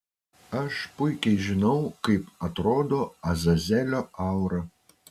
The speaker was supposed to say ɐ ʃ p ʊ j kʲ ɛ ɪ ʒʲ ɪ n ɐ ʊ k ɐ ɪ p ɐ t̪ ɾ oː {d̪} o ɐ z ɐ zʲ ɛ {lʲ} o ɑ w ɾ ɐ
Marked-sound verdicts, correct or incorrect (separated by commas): correct, correct